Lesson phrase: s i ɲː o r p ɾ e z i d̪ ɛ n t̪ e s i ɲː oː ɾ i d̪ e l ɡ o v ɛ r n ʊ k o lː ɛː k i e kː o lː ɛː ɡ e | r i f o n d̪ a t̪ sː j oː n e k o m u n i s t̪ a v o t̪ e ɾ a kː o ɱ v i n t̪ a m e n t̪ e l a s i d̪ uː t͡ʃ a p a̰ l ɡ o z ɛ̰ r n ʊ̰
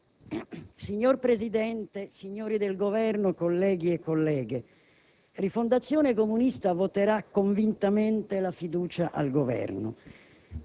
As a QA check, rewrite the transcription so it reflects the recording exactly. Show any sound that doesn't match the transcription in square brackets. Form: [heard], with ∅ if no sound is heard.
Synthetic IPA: s i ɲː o r p ɾ e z i d̪ ɛ n t̪ e s i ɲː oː ɾ i d̪ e l ɡ o v ɛ r n ʊ k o lː ɛː [ɡ] i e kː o lː ɛː ɡ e | r i f o n d̪ a t̪ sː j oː n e k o m u n i s t̪ a v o t̪ e ɾ a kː o ɱ v i n t̪ a m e n t̪ e l a [f] i d̪ uː t͡ʃ a [ʔ] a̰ l ɡ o [v] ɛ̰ r n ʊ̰